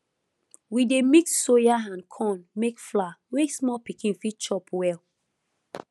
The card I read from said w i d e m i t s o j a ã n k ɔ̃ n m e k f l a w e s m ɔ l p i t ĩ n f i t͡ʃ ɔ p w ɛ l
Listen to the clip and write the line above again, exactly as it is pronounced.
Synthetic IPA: w i d e m i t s o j a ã n kʰ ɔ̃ n m e k f l a w e s m ɔ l p i k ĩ n f i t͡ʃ ɔ p w ɛ l